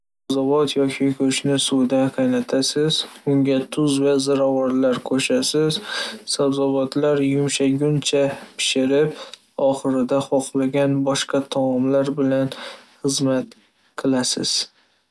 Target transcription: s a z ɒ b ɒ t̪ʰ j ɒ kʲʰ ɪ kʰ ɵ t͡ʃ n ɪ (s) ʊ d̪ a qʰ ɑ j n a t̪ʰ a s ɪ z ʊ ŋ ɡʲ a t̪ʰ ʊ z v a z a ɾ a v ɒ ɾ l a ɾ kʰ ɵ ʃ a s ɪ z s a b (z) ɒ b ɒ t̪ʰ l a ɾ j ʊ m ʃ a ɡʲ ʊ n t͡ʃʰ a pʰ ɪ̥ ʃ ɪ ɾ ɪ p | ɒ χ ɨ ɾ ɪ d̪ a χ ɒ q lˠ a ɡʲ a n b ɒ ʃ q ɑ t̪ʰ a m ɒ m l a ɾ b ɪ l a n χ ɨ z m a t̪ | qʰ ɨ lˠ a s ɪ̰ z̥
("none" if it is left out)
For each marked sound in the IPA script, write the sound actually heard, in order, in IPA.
s, z

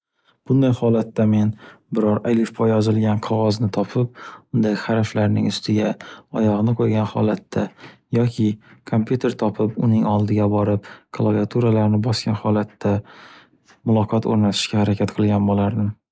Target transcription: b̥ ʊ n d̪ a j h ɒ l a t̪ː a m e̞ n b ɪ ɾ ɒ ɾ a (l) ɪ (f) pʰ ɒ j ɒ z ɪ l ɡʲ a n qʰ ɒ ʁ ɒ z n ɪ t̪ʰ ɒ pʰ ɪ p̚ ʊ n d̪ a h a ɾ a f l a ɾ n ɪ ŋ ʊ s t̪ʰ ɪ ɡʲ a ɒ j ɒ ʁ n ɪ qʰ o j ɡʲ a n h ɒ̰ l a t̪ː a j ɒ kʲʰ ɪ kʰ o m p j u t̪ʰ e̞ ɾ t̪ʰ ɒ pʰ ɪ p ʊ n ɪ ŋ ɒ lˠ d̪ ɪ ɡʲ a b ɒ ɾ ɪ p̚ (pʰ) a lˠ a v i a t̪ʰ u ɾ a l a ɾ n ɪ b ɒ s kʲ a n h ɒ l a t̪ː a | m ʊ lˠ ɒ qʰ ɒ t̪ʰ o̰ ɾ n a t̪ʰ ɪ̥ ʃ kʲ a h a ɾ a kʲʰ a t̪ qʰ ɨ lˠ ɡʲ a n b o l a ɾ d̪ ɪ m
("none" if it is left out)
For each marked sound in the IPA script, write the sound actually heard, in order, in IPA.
l, f, kʰ

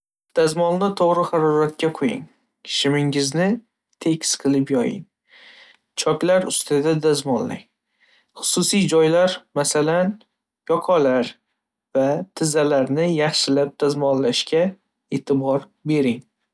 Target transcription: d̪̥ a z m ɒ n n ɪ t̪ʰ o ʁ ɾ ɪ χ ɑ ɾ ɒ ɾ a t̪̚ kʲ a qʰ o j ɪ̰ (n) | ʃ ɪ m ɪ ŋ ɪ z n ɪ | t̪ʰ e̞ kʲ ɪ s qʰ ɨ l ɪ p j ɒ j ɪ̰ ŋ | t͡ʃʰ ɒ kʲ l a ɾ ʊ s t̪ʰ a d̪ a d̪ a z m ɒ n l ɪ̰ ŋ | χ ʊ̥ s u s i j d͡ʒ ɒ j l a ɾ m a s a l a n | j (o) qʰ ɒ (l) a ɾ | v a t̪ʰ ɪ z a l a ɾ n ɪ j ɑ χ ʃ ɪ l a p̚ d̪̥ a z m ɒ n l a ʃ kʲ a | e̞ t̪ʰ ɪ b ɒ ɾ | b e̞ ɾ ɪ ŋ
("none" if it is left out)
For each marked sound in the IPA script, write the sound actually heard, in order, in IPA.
ŋ, ɒ, l

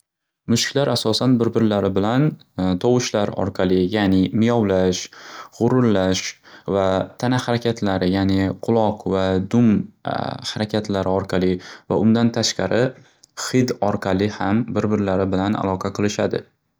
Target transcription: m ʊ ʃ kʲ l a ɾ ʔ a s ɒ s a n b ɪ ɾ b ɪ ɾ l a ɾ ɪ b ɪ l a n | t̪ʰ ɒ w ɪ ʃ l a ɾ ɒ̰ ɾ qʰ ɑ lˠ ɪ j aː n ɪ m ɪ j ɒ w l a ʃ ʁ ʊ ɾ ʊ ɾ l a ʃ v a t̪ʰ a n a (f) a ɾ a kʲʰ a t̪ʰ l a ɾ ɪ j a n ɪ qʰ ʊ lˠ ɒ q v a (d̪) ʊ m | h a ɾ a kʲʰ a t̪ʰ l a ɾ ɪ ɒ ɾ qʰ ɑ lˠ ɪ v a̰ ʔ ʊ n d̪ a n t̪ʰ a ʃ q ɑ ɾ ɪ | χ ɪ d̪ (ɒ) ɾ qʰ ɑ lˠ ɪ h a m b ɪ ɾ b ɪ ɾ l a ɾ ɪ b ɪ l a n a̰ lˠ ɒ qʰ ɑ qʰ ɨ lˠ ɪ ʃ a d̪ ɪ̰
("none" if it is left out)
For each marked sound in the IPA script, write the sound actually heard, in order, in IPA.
h, d̪, ɒ

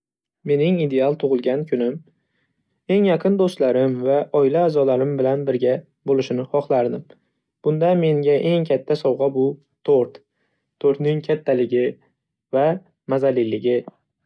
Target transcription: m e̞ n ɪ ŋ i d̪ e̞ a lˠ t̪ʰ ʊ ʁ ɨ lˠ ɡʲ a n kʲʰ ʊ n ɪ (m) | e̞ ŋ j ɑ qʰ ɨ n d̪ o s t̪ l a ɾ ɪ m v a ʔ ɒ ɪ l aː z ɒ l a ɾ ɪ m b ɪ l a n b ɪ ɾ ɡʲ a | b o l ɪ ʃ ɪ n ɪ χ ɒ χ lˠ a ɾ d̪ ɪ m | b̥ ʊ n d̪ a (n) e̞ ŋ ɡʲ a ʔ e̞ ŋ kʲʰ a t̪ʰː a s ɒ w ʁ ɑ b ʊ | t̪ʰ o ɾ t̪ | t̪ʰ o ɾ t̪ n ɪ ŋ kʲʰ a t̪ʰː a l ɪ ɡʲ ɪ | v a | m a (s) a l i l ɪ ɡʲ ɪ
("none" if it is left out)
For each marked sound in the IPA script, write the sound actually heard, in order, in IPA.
m, m, z

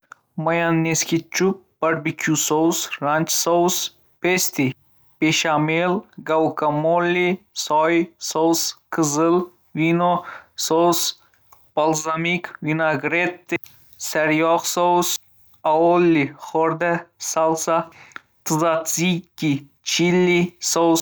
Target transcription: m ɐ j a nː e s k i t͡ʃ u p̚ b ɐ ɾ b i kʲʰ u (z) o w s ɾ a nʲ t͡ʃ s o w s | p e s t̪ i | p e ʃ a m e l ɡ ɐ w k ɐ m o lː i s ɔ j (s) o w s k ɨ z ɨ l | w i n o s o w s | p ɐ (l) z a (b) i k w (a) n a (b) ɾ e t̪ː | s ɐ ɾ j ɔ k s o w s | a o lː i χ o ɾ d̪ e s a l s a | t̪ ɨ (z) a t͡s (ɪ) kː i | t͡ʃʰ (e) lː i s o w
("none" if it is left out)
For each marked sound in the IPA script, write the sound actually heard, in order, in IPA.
s, s, l, m, i, ɡ, z, i, i

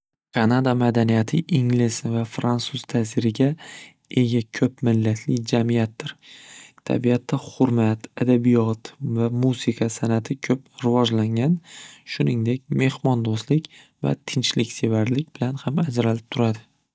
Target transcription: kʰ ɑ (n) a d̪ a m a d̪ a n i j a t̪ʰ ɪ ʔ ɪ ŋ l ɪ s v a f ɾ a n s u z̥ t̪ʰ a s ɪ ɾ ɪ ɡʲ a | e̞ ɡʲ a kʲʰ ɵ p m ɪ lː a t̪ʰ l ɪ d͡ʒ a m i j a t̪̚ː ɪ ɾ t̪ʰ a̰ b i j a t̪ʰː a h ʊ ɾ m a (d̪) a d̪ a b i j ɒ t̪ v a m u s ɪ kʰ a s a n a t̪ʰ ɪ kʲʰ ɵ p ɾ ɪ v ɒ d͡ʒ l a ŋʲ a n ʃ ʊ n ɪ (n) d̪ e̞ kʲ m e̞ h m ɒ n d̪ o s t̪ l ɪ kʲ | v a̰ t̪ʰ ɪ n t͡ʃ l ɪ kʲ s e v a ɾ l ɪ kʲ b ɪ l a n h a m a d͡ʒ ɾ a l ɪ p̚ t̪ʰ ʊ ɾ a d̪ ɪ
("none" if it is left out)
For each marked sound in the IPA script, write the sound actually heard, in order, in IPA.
n, t̪, ŋ

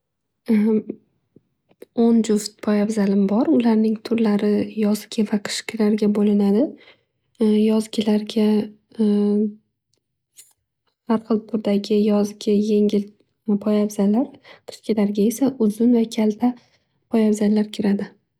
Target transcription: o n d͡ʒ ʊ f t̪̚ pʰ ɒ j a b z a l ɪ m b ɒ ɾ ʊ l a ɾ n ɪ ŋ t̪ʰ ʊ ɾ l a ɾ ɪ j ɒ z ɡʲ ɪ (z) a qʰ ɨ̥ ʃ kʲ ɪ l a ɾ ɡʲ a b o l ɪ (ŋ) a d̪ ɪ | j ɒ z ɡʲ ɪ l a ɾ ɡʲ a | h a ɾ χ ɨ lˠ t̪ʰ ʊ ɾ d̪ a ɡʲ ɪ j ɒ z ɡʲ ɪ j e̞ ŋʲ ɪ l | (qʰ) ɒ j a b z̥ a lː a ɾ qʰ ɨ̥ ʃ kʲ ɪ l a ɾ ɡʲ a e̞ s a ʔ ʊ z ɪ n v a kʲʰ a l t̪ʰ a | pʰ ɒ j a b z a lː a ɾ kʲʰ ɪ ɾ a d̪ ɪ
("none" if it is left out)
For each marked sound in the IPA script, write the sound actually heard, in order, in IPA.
v, n, pʰ

